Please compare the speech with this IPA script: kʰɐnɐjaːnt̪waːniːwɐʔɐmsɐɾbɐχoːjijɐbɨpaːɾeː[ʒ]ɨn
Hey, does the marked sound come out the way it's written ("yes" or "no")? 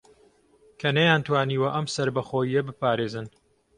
no